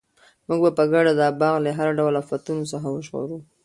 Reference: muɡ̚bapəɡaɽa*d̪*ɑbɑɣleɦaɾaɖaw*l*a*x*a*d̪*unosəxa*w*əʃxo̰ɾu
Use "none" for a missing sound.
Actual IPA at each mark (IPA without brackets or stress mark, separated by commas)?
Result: d̪, l, f, t̪, w